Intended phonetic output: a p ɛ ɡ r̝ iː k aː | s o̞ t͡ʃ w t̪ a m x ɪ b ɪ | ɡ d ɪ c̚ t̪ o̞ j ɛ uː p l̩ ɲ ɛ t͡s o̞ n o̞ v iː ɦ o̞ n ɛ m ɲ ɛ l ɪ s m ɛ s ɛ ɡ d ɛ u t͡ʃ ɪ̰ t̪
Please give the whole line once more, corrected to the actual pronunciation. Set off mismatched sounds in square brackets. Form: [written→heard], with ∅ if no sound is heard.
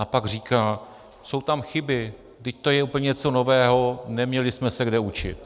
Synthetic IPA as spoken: a p [ɛ→a] ɡ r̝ iː k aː | s o̞ [t͡ʃ→∅] w t̪ a m x ɪ b ɪ | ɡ d ɪ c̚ t̪ o̞ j ɛ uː p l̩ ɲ ɛ t͡s o̞ n o̞ v [iː→ɛː] ɦ o̞ n ɛ m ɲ ɛ l ɪ s m ɛ s ɛ ɡ d ɛ u t͡ʃ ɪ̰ t̪